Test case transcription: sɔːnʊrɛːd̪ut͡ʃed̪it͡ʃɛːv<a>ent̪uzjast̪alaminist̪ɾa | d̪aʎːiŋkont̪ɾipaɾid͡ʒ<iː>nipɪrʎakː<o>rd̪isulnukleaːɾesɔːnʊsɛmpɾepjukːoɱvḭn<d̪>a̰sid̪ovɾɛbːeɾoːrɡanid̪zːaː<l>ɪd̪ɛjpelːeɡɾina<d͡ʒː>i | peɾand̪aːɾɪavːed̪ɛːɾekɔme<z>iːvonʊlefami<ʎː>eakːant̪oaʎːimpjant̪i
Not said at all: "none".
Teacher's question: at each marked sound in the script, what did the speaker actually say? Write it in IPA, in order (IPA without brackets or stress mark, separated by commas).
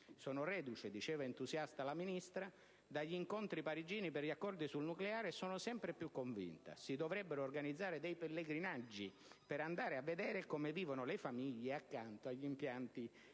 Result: a, iː, ɔ, t̪, ɾ, d͡ʒː, v, ʎː